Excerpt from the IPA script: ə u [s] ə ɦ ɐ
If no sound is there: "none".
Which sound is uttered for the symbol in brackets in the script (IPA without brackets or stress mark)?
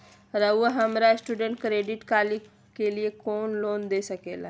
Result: none